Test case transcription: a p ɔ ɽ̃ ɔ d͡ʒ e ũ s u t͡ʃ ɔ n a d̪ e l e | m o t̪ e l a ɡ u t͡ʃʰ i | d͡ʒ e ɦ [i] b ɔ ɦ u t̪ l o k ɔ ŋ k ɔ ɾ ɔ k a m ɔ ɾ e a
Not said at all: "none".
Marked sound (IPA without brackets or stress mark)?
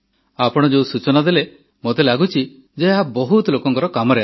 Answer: a